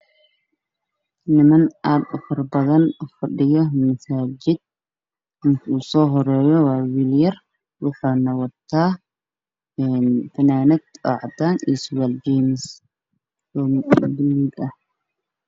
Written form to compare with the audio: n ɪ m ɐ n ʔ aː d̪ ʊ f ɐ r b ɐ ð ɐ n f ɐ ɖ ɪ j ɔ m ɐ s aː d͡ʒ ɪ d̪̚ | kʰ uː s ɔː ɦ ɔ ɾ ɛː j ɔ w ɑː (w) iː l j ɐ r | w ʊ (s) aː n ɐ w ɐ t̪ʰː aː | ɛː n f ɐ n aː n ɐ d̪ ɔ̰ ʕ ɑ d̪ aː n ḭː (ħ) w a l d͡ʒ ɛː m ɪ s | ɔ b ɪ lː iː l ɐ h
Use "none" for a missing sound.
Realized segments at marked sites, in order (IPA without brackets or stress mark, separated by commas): w, ħ, s